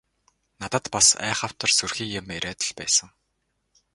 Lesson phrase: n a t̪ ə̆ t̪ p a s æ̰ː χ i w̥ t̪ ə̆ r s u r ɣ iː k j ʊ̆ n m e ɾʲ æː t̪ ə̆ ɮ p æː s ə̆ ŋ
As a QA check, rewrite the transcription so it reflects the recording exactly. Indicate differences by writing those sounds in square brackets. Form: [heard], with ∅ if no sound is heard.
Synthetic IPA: n a t̪ ə̆ t̪ p a s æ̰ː χ [a] w̥ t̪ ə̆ r s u r [x] iː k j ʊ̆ [∅] m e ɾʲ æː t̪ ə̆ ɮ p æː s ə̆ ŋ

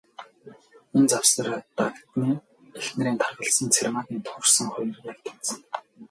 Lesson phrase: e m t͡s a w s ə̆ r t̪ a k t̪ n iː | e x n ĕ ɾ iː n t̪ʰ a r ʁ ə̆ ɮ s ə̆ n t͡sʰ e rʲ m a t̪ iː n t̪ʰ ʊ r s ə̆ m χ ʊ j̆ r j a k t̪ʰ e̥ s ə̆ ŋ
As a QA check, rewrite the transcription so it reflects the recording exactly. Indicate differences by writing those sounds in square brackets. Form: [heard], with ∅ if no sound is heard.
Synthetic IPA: e [n] t͡s a w s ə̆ r t̪ a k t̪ n iː | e x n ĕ ɾ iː n t̪ʰ a r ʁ ə̆ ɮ s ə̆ n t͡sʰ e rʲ m a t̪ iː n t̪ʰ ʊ r s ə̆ [ŋ] χ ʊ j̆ r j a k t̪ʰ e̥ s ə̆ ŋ

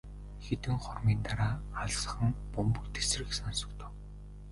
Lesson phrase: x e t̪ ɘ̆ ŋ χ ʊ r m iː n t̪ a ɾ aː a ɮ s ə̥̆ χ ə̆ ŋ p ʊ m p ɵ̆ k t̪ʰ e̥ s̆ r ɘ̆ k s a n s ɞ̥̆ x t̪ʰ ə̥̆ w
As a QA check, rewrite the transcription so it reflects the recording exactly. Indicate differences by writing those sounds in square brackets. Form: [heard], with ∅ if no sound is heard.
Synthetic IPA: x e t̪ ɘ̆ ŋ χ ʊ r m iː n t̪ a ɾ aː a ɮ s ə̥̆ χ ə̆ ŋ p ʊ m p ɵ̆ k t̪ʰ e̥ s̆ r ɘ̆ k s a n s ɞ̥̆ [k] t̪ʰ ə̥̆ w

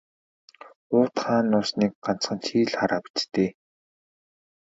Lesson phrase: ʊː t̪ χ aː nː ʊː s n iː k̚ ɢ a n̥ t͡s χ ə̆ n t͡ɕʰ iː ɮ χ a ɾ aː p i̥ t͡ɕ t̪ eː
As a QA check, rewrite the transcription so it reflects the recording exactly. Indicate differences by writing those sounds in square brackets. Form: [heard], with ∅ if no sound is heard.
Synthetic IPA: ʊː t̪ χ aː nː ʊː s n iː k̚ ɢ a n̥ t͡s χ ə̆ n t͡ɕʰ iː ɮ χ a ɾ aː p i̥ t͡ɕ t̪ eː

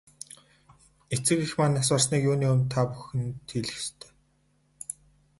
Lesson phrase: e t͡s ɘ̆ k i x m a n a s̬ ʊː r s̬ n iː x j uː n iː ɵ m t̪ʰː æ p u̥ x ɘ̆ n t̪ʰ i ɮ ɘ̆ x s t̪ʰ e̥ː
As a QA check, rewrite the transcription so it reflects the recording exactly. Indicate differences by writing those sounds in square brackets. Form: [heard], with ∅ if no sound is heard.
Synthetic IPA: e t͡s ɘ̆ k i x m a n a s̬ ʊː r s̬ n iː [k] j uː n iː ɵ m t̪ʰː [a] p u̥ x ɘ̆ n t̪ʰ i ɮ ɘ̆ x s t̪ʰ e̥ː

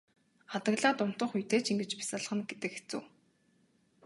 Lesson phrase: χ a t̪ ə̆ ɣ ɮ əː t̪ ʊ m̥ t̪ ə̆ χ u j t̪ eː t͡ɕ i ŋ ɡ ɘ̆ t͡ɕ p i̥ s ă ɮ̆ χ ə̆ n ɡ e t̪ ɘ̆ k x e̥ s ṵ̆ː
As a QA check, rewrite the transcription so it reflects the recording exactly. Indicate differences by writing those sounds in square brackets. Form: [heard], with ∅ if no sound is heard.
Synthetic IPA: χ a t̪ ə̆ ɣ ɮ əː t̪ ʊ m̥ t̪ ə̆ χ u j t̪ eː t͡ɕ i ŋ ɡ ɘ̆ t͡ɕ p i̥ s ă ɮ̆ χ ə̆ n ɡ e t̪ ɘ̆ k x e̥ [t͡s] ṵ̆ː

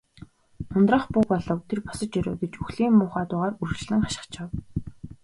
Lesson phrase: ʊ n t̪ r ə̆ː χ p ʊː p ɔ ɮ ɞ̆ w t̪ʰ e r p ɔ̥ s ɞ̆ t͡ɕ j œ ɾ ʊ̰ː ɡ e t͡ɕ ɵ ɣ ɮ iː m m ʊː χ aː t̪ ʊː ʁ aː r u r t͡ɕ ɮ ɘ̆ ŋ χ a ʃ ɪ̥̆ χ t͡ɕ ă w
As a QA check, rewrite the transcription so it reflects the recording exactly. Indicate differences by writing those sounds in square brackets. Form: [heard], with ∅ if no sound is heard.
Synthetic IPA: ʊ n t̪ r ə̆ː χ p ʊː p ɔ ɮ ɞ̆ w t̪ʰ e r p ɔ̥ s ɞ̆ t͡ɕ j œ ɾ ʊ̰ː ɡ e t͡ɕ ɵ [x] ɮ iː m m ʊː χ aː t̪ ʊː ʁ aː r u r t͡ɕ ɮ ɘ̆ ŋ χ a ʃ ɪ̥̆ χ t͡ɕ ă w

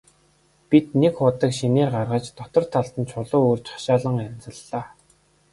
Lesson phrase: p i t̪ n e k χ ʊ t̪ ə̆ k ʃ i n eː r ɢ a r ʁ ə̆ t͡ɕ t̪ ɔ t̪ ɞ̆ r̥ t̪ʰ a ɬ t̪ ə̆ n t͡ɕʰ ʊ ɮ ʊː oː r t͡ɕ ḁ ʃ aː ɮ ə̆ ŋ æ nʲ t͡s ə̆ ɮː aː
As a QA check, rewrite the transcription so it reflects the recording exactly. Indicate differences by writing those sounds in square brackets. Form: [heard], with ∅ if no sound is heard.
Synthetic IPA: p i t̪ n e k χ ʊ t̪ ə̆ k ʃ i n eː r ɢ a r ʁ ə̆ t͡ɕ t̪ ɔ t̪ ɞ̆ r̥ t̪ʰ a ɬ t̪ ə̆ n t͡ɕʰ ʊ ɮ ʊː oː r t͡ɕ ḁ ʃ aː ɮ ə̆ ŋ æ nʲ t͡s ə̆ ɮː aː

